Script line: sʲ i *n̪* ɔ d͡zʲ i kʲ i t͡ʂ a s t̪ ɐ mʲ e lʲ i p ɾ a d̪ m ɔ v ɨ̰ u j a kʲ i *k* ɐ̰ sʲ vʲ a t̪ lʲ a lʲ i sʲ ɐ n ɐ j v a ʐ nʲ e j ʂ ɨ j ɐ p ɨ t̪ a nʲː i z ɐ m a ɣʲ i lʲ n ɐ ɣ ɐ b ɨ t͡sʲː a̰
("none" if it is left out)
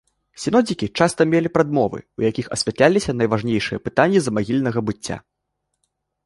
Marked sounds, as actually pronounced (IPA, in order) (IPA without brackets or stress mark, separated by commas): n̪, x